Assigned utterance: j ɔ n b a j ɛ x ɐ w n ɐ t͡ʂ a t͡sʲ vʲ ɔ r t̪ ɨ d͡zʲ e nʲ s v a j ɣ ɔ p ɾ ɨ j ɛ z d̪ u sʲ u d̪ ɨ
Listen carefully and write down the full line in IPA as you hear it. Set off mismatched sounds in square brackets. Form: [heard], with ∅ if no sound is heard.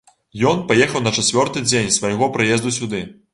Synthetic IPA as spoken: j ɔ n [p] a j ɛ x ɐ w n ɐ t͡ʂ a t͡sʲ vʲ ɔ r t̪ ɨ d͡zʲ e nʲ s v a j ɣ ɔ p ɾ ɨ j ɛ z d̪ u sʲ u d̪ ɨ

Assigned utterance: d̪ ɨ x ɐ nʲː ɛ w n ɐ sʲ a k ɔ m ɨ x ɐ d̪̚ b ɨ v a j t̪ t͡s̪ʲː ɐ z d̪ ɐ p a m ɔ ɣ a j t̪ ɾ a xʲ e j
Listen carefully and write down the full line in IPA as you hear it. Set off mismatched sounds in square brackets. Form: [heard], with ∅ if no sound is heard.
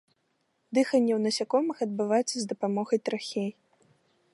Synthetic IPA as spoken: d̪ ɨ x ɐ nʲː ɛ w n ɐ sʲ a k ɔ m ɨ x ɐ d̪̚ b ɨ v a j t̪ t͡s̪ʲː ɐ z d̪ ɐ p a m ɔ ɣ [ɐ] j t̪ ɾ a xʲ e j

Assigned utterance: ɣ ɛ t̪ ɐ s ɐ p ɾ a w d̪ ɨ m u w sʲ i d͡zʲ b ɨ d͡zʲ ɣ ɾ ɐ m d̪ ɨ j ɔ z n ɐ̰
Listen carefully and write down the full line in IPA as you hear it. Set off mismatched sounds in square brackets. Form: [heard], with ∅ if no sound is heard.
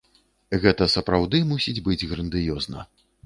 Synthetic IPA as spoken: ɣ ɛ t̪ ɐ s ɐ p ɾ a w d̪ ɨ m u [∅] sʲ i d͡zʲ b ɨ d͡zʲ ɣ ɾ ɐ [n] d̪ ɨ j ɔ z n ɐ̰

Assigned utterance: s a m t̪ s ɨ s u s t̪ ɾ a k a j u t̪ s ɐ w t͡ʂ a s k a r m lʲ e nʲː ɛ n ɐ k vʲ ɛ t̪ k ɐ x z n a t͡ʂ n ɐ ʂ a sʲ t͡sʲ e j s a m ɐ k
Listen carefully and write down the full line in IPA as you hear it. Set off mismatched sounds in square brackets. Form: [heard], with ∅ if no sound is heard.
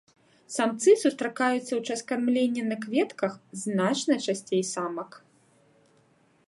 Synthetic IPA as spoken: s a m t̪ s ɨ s u s t̪ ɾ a k a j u t̪ [sː] ɐ w t͡ʂ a s k a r m lʲ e nʲː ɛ n ɐ k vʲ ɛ t̪ k ɐ x z n a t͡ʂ n ɐ [t͡ʂ] a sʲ t͡sʲ e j s a m ɐ k

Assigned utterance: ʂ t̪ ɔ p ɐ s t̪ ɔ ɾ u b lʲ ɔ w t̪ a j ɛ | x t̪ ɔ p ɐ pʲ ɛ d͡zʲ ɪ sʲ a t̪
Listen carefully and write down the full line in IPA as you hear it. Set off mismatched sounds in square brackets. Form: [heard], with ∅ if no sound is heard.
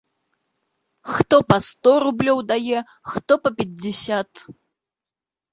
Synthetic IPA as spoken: [x] t̪ ɔ p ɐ s t̪ ɔ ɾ u b lʲ ɔ w [d̪] a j ɛ | x t̪ ɔ p ɐ pʲ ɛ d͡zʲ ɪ sʲ a t̪

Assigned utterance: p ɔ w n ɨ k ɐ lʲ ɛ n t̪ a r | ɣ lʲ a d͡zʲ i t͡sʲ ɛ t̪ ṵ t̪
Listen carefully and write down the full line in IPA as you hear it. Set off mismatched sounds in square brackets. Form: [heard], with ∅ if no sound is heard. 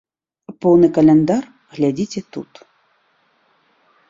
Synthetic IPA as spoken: p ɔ w n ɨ k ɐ lʲ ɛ n [d̪] a r | ɣ lʲ a d͡zʲ i t͡sʲ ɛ t̪ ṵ t̪

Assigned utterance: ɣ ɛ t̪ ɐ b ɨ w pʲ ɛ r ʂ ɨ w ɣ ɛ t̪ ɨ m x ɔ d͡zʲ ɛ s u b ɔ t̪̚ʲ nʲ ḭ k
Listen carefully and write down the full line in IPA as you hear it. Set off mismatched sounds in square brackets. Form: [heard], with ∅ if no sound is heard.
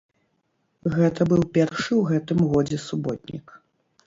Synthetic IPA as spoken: ɣ ɛ t̪ ɐ b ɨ w pʲ ɛ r ʂ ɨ w ɣ ɛ t̪ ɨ m [ɣ] ɔ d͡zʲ ɛ s u b ɔ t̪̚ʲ nʲ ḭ k

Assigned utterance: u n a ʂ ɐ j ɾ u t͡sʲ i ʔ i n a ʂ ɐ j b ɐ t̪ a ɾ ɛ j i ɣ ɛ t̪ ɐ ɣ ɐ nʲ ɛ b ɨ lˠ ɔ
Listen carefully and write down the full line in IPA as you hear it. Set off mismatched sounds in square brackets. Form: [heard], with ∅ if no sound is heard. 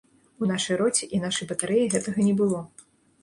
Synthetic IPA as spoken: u n a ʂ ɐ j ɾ [ɔ] t͡sʲ i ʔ i n a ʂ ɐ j b ɐ t̪ a ɾ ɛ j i ɣ ɛ t̪ ɐ ɣ ɐ nʲ ɛ b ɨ lˠ ɔ

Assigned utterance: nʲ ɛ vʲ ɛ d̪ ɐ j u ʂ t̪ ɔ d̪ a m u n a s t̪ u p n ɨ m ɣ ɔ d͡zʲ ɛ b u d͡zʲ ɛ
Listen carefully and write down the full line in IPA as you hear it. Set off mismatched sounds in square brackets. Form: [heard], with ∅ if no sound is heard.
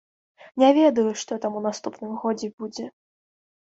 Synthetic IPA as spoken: nʲ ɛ vʲ ɛ d̪ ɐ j u ʂ t̪ ɔ [t̪] a m u n a s t̪ u p n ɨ m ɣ ɔ d͡zʲ ɛ b u d͡zʲ ɛ

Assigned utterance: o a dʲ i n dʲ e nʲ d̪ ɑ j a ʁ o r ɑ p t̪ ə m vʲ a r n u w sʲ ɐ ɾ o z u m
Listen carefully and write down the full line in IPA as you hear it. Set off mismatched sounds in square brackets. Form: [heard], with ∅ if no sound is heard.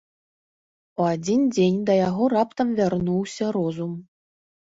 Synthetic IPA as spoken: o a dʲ i n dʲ e nʲ d̪ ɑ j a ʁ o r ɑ p t̪ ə m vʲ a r n u w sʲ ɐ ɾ o z u m

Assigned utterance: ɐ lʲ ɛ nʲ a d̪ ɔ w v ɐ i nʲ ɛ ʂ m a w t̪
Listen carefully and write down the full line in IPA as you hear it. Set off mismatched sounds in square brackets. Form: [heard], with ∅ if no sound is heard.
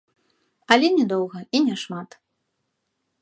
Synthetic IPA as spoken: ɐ lʲ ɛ nʲ [ɛ] d̪ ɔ w [ɣ] ɐ i nʲ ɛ ʂ m a [∅] t̪

